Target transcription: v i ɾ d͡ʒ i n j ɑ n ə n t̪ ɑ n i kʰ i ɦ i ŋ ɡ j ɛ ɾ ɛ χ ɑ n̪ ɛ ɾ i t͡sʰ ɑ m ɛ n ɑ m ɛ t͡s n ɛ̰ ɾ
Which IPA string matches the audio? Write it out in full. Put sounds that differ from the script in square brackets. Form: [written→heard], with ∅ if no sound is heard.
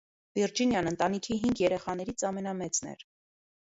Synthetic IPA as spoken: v i ɾ d͡ʒ i n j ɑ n ə n t̪ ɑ n i kʰ i ɦ i ŋ ɡ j ɛ ɾ ɛ χ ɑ n̪ ɛ ɾ i t͡sʰ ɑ m ɛ n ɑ m ɛ t͡s n ɛ̰ ɾ